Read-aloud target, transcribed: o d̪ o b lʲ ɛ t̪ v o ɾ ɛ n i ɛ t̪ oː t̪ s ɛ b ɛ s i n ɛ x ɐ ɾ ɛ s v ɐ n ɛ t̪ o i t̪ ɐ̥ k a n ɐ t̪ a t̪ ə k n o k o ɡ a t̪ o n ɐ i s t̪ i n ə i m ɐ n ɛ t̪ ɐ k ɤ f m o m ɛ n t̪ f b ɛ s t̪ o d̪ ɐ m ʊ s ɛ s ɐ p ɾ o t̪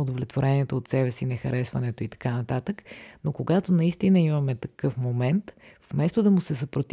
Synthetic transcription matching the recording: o d̪ o v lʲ ɛ t̪ v o ɾ ɛ n i ɛ t̪ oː t̪ s ɛ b ɛ s i n ɛ x ɐ ɾ ɛ s v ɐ n ɛ t̪ o i t̪ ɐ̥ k a n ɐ t̪ a t̪ ə k n o k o ɡ a t̪ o n ɐ i s t̪ i n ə i m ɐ m ɛ t̪ ɐ k ɤ f m o m ɛ n t̪ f m ɛ s t̪ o d̪ ɐ m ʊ s ɛ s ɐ p ɾ o t̪